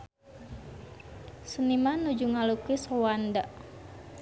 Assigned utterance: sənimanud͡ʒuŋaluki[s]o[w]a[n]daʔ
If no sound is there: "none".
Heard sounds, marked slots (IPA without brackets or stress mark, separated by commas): s, w, n